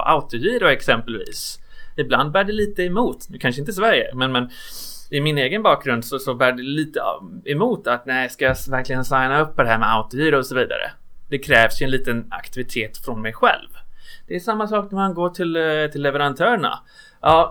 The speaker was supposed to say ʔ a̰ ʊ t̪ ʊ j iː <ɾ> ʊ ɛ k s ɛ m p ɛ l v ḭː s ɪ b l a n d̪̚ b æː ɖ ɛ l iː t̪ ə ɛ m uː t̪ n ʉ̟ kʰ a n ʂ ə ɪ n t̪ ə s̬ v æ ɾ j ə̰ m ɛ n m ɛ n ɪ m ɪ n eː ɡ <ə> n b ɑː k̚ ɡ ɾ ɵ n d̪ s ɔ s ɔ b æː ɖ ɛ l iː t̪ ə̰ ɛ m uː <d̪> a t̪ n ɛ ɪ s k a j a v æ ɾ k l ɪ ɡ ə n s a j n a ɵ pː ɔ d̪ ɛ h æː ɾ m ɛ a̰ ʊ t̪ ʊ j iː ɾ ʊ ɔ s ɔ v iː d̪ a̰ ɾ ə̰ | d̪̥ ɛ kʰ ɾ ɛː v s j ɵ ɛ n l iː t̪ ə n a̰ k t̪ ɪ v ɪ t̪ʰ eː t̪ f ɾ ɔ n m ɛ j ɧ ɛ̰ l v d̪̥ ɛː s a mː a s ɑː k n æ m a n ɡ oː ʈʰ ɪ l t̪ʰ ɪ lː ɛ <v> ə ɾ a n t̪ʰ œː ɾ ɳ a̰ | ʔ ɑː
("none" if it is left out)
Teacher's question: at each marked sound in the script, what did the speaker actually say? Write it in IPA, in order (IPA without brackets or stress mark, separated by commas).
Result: ɾ, ə, t̪, v